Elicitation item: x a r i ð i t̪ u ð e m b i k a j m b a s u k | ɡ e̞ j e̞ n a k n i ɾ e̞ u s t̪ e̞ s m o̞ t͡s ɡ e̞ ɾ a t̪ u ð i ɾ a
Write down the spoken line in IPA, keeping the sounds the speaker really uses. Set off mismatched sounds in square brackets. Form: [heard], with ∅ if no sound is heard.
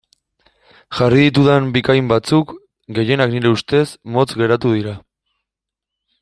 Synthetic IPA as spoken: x a r i ð i t̪ u ð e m b i k a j m b a [t͡s] u k | ɡ e̞ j e̞ n a k n i ɾ e̞ u s t̪ e̞ s m o̞ t͡s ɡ e̞ ɾ a t̪ u ð i ɾ a

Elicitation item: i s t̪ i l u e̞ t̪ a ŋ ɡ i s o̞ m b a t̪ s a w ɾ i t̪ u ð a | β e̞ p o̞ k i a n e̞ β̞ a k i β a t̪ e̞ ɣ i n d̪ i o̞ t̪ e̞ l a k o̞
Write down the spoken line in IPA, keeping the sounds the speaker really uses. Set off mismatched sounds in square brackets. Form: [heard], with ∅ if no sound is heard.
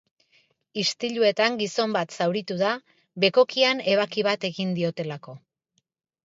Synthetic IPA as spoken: i s t̪ i [ʎ] u e̞ t̪ a ŋ ɡ i s o̞ m b a t̪ s a w ɾ i t̪ u ð a | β e̞ [k] o̞ k i a n e̞ β̞ a k i β a t̪ e̞ ɣ i n d̪ i o̞ t̪ e̞ l a k o̞

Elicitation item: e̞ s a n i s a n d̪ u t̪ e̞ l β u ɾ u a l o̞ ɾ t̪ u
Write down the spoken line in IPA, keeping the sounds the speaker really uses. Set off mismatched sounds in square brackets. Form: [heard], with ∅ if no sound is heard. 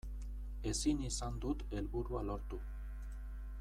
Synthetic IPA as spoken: e̞ s [i] n i s a n d̪ u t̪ e̞ l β u ɾ u a l o̞ ɾ t̪ u

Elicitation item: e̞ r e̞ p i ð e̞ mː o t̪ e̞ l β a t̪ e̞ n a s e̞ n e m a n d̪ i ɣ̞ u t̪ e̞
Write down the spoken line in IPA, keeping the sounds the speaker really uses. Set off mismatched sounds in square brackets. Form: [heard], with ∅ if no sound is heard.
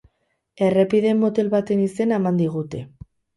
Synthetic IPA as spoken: e̞ r e̞ p i ð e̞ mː o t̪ e̞ l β a t̪ e̞ n [i] s e̞ n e m a n d̪ i ɣ̞ u t̪ e̞

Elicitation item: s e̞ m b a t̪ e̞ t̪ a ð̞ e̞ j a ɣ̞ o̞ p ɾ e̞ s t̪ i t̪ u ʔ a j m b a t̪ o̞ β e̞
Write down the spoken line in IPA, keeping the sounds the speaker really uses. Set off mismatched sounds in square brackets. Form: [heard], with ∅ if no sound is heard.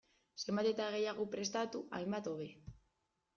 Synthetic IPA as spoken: s e̞ m b a t̪ e̞ t̪ a [ɣ̞] e̞ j a ɣ̞ o̞ p ɾ e̞ s t̪ [a] t̪ u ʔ a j m b a t̪ o̞ β e̞

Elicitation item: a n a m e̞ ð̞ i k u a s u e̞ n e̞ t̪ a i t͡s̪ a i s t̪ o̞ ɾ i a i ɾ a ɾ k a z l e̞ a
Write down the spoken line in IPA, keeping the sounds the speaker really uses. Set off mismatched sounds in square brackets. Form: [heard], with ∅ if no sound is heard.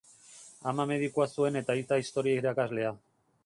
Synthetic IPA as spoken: a [m] a m e̞ ð̞ i k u a s u e̞ n e̞ t̪ a i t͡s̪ a i s t̪ o̞ ɾ i a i ɾ a [∅] k a z l e̞ a

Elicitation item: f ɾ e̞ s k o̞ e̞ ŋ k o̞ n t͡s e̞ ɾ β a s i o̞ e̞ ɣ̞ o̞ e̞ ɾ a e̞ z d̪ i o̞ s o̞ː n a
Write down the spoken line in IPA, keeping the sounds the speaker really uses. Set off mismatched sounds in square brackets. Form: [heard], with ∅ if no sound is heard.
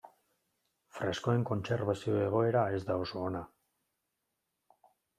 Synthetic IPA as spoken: f ɾ e̞ s k o̞ e̞ ŋ k o̞ n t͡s e̞ ɾ β a s i o̞ e̞ ɣ̞ o̞ e̞ ɾ a e̞ z d̪ [a] o̞ s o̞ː n a

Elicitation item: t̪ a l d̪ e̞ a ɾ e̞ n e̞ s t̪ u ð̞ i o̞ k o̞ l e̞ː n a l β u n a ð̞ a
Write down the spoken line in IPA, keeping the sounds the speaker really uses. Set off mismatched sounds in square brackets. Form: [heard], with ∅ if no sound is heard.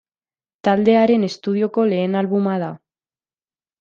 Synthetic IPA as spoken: t̪ a l d̪ e̞ a ɾ e̞ n e̞ s t̪ u ð̞ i o̞ k o̞ l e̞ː n a l β u [m] a ð̞ a

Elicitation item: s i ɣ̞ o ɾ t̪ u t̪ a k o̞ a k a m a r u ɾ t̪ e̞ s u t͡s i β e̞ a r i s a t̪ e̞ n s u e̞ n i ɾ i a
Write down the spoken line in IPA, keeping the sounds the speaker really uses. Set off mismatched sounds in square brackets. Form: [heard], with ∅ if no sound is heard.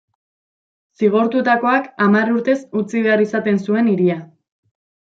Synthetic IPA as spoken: s i ɣ̞ o ɾ t̪ u t̪ a k o̞ a k a m a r u ɾ t̪ e̞ s u t͡s i β e̞ a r i s a t̪ e̞ n s u e̞ n i ɾ i a

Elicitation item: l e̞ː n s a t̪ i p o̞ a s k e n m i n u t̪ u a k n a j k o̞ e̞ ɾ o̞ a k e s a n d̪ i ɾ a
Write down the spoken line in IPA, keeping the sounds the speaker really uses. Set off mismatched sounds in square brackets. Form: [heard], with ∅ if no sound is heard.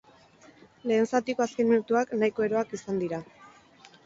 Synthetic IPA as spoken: l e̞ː n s a t̪ i [k] o̞ a s k e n m i n u t̪ u a k n a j k o̞ e̞ ɾ o̞ a k [i] s a n d̪ i ɾ a

